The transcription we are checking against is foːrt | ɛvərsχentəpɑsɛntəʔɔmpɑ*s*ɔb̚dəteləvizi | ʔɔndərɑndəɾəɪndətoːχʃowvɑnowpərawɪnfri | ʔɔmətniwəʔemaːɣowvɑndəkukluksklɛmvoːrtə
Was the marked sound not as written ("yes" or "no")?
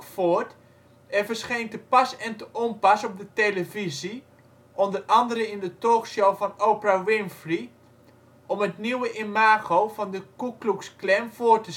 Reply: no